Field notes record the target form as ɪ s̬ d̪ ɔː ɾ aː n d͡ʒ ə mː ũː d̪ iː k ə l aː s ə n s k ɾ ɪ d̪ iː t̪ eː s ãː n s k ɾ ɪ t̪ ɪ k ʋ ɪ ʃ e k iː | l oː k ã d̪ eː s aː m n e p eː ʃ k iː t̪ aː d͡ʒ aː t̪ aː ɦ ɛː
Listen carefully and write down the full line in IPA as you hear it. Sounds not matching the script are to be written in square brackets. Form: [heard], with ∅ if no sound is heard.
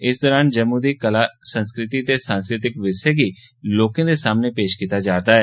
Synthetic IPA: ɪ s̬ d̪ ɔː ɾ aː n d͡ʒ ə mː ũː d̪ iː k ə l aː s ə n s k ɾ ɪ [t̪] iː t̪ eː s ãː n s k ɾ ɪ t̪ ɪ k ʋ ɪ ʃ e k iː | l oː k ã d̪ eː s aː m n e p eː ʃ k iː t̪ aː d͡ʒ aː t̪ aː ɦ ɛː

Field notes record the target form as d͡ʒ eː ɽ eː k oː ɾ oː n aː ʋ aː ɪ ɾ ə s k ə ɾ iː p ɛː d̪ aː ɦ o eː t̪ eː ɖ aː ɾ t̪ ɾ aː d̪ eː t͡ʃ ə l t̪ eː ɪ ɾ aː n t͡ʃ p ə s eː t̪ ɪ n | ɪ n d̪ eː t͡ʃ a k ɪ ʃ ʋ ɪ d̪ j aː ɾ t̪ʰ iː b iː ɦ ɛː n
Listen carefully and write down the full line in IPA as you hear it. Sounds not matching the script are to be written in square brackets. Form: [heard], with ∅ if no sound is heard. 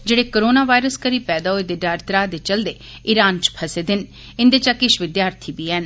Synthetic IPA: d͡ʒ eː ɽ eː k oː ɾ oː n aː ʋ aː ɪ ɾ ə s k ə ɾ iː p ɛː d̪ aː ɦ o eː [d̪] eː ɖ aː ɾ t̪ ɾ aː d̪ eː t͡ʃ ə l [d̪] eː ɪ ɾ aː n t͡ʃ [pʰ] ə s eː [d̪] ɪ n | ɪ n d̪ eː t͡ʃ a k ɪ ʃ ʋ ɪ d̪ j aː ɾ t̪ʰ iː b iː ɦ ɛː n

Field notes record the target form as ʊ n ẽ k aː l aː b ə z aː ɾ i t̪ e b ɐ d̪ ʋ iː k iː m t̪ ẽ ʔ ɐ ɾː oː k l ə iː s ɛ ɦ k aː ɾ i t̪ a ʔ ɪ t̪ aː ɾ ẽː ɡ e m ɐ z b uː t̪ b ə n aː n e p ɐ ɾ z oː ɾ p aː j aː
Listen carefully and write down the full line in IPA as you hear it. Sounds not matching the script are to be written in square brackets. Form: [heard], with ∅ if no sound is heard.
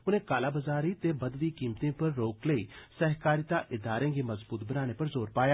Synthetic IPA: ʊ n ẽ k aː l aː b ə z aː ɾ i t̪ e b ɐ d̪ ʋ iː k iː m t̪ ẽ [p] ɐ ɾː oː k l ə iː s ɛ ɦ k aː ɾ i t̪ a ʔ ɪ [d̪] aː ɾ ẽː ɡ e m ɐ z b uː t̪ b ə n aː n e p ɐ ɾ z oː ɾ p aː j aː

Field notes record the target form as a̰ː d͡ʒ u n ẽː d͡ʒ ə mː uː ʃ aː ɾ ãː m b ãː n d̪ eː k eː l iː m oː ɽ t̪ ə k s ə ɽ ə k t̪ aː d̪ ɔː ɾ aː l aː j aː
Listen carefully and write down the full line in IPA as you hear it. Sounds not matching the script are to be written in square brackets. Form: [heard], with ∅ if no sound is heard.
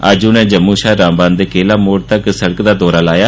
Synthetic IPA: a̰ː d͡ʒ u n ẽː d͡ʒ ə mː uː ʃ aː ɾ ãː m b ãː n d̪ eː k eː l [aː] m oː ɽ t̪ ə k s ə ɽ ə k [d̪] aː d̪ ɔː ɾ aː l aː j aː

